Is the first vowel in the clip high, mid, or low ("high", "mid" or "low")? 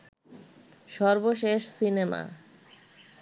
mid